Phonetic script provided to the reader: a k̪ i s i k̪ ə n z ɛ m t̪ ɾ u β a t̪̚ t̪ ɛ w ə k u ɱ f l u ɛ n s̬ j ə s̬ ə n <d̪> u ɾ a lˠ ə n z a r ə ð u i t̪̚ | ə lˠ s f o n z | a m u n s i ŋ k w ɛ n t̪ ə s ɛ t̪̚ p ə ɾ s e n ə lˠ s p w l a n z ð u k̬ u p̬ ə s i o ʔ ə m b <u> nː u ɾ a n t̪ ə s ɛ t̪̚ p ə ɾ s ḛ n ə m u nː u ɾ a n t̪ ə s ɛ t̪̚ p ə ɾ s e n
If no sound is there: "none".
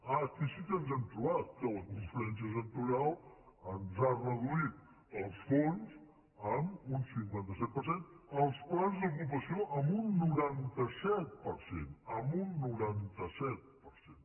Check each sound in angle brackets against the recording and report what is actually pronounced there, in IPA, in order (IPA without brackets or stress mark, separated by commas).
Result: t̪, u